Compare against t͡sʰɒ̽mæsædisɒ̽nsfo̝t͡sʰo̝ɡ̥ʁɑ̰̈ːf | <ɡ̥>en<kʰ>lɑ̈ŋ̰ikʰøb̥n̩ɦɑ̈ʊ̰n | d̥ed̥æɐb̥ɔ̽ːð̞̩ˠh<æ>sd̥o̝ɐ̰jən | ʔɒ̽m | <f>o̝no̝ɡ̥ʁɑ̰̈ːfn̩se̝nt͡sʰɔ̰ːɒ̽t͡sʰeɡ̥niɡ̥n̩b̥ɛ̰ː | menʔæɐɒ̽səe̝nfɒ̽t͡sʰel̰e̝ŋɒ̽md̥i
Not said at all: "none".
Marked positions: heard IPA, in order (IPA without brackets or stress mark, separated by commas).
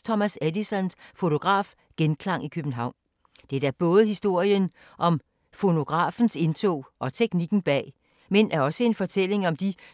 ɡ̥, kʰ, i, f